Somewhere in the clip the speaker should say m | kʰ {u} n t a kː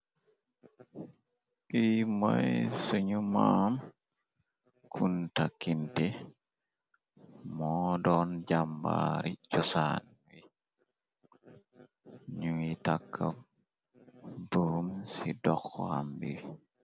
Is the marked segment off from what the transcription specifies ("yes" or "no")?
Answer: no